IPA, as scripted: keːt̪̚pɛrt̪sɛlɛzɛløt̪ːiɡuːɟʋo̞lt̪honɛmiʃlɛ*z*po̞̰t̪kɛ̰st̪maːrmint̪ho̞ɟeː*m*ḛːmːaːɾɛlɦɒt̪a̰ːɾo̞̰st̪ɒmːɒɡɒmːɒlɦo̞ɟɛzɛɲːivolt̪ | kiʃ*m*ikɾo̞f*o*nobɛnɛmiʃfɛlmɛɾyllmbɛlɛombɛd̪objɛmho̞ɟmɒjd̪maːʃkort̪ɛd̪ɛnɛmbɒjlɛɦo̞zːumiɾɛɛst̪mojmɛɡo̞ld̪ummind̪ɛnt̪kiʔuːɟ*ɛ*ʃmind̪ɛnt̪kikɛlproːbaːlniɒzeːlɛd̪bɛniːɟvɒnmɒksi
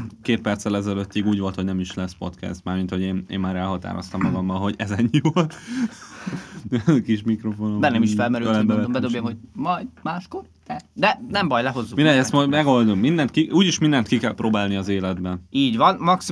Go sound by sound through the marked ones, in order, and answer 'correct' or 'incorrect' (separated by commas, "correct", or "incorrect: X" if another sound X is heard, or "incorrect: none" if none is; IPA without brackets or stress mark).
incorrect: s, incorrect: n, correct, correct, incorrect: i